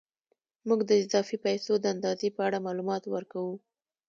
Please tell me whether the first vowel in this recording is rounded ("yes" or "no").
yes